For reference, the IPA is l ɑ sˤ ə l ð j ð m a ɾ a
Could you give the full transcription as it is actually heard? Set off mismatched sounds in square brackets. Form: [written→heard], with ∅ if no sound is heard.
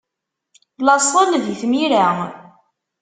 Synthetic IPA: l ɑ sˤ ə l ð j [ð→θ] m [a→i] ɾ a